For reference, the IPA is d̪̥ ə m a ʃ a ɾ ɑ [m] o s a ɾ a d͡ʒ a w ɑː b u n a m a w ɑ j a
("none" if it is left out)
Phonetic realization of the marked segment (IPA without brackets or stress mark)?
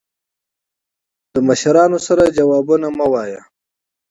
n